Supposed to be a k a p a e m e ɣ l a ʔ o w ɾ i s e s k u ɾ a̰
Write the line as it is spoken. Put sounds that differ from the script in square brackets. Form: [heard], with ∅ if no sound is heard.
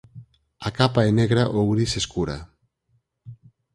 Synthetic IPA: a k a p a e [n] e ɣ [ɾ] a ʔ o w ɾ i s e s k u ɾ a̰